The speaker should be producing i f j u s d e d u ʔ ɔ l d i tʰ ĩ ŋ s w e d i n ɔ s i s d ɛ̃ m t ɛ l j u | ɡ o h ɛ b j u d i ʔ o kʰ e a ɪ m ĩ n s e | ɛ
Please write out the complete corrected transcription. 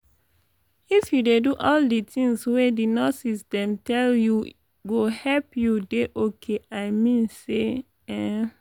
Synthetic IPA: i f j u d e d u ʔ ɔ l d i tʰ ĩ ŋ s w e d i n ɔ s i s d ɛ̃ m t ɛ l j u | ɡ o h ɛ p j u d e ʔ o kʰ e a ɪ m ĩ n s e | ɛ